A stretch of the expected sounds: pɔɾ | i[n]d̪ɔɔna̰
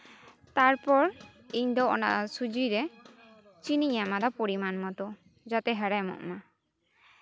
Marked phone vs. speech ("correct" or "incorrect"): incorrect